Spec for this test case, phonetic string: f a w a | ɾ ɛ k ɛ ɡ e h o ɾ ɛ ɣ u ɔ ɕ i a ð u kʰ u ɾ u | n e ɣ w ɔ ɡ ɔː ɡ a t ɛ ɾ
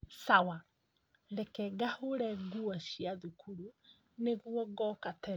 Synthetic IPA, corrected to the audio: s a w a | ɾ ɛ k ɛ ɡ a h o ɾ ɛ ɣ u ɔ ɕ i a ð u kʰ u ɾ u | n e ɣ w ɔ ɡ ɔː k a t ɛ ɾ

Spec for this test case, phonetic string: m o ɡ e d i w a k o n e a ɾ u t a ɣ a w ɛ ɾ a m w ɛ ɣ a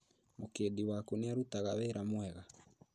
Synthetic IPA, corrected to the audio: m o k e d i w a k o n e a ɾ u t a ɣ a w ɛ ɾ a m w ɛ ɣ a

